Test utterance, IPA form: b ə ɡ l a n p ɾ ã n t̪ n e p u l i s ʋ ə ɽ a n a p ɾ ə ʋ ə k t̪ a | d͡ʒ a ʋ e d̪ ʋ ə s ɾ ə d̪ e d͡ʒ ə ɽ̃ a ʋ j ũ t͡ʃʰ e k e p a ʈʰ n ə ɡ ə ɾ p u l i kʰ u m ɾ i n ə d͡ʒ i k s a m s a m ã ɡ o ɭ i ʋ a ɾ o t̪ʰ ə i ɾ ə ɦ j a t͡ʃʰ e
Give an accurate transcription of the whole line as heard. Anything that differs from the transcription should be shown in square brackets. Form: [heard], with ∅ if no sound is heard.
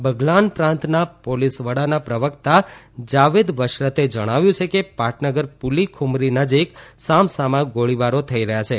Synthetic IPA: b ə ɡ l a n p ɾ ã n t̪ n [a] p [o] l i s ʋ ə ɽ a n a p ɾ ə ʋ ə k t̪ a | d͡ʒ a ʋ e d̪ ʋ ə [ʃ] ɾ ə [t̪] e d͡ʒ ə ɽ̃ a ʋ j ũ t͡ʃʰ e k e p a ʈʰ n ə ɡ ə ɾ p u l i kʰ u m ɾ i n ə d͡ʒ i k s a m s a m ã ɡ o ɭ i ʋ a ɾ o t̪ʰ ə i ɾ ə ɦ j a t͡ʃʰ e

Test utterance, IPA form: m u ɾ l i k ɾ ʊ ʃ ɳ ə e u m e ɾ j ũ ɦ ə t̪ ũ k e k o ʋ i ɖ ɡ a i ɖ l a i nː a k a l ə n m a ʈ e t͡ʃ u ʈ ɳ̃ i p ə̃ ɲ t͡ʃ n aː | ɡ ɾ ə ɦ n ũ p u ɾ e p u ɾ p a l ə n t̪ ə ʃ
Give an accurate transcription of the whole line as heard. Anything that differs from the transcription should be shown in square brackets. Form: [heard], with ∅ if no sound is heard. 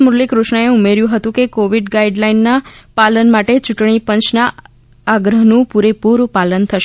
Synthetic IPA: m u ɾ l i k ɾ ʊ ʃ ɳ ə e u m e ɾ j ũ ɦ ə t̪ ũ k e k o ʋ i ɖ ɡ a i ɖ l a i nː a [p] a l ə n m a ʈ e t͡ʃ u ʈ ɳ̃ i p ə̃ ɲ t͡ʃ n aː | ɡ ɾ ə ɦ n ũ p u ɾ e p u ɾ p a l ə n [t̪ʰ] ə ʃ

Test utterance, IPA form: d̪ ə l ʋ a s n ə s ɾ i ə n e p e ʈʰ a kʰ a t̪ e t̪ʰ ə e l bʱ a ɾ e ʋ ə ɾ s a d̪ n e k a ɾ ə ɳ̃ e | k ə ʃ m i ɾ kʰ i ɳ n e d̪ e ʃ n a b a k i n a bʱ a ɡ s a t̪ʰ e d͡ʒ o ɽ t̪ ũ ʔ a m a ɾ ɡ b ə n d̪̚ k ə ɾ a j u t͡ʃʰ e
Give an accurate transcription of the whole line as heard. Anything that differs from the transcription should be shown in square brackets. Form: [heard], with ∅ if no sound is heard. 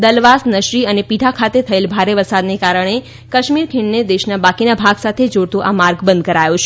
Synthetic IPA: d̪ ə l ʋ a s n ə [ʃ] ɾ i ə n e p [i] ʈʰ a kʰ a t̪ e t̪ʰ ə e l bʱ a ɾ e ʋ ə ɾ s a d̪ n e k a ɾ ə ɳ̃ e | k ə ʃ m i ɾ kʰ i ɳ n e d̪ e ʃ n a b a k i n a bʱ a ɡ s a t̪ʰ e d͡ʒ o ɽ t̪ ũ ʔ a m a ɾ ɡ b ə n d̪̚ k ə ɾ a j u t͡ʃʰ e

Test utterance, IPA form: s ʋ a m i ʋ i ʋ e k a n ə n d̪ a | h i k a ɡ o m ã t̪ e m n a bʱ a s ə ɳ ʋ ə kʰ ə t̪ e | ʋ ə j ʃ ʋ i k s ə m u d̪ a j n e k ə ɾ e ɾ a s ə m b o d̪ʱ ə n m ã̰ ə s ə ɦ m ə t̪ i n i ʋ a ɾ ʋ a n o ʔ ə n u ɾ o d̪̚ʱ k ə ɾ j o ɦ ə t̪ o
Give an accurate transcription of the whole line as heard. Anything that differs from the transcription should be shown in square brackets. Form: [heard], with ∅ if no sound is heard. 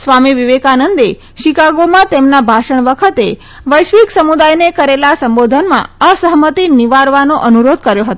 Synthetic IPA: s ʋ a m i ʋ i ʋ e k a n ə n d̪ [e] | [ʃ] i k a ɡ o m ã t̪ e m n a bʱ a [ʃ] ə ɳ ʋ ə kʰ ə t̪ e | ʋ ə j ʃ ʋ i k s ə m u d̪ a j n e k ə ɾ e [l] a s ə m b o d̪ʱ ə n m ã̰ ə s ə ɦ m ə t̪ i n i ʋ a ɾ ʋ a n o ʔ ə n u ɾ o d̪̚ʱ k ə ɾ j o ɦ ə t̪ o

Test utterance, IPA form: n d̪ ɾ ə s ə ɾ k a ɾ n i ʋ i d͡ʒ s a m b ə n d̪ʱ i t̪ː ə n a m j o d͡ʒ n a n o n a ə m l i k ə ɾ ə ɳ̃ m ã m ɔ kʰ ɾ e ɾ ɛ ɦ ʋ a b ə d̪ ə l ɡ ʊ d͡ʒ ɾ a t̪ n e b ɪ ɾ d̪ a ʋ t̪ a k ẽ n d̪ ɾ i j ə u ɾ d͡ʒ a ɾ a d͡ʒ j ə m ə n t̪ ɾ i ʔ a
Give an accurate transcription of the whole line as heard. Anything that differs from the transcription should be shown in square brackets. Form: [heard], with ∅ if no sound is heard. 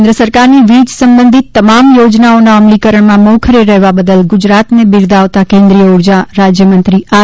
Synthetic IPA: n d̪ ɾ ə s ə ɾ k a ɾ n i ʋ i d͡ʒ s [ə] m b ə n d̪ʱ i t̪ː ə [m] a m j o d͡ʒ n a [∅] o n a ə m l i k ə ɾ ə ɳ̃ m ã m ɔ kʰ ɾ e ɾ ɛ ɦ ʋ a b ə d̪ ə l ɡ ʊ d͡ʒ ɾ a t̪ n e b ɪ ɾ d̪ a ʋ t̪ a k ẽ n d̪ ɾ i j ə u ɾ d͡ʒ a ɾ a d͡ʒ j ə m ə n t̪ ɾ i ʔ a

